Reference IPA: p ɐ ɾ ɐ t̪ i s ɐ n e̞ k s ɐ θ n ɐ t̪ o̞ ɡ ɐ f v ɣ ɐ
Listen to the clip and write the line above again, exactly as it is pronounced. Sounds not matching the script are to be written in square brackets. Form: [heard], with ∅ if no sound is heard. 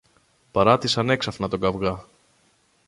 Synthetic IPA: p ɐ ɾ ɐ t̪ i s ɐ n e̞ k s ɐ [f] n ɐ t̪ o̞ ɡ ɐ [∅] v ɣ ɐ